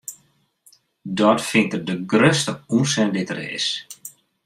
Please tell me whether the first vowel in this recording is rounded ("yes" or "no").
yes